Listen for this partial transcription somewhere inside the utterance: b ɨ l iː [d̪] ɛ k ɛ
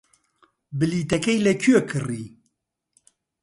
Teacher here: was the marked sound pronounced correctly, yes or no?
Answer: no